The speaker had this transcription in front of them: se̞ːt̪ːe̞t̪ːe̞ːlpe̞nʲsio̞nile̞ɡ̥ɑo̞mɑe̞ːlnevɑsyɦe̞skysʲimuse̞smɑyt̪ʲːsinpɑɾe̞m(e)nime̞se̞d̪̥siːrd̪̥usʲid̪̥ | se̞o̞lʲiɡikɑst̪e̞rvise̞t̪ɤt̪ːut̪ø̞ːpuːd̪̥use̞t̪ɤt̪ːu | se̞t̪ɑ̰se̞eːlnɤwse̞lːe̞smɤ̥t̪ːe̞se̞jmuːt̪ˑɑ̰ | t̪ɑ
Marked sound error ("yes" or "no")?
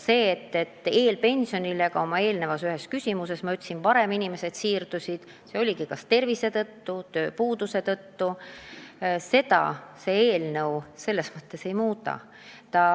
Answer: yes